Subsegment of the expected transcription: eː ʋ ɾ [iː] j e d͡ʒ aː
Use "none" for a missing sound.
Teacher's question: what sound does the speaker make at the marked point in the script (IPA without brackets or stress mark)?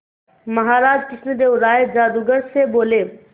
aː